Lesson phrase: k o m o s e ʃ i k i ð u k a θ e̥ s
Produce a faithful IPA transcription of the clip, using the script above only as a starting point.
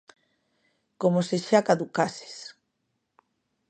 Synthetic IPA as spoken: k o m o s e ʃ a k a ð u k a s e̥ s